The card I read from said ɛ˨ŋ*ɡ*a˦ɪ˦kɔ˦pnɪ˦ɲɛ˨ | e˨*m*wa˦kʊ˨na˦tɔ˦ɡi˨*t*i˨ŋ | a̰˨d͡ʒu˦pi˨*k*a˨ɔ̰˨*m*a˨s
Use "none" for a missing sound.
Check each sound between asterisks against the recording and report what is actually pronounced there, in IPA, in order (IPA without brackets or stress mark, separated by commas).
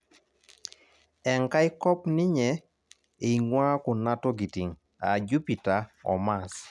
k, ŋ, t, t, m